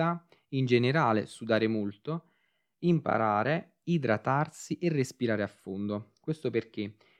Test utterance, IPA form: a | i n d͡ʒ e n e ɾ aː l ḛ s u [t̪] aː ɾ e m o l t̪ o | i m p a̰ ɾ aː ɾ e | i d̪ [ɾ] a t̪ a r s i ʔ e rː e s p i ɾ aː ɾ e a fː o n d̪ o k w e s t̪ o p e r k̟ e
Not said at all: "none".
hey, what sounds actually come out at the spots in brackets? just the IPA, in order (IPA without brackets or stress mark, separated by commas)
d̪, ɾ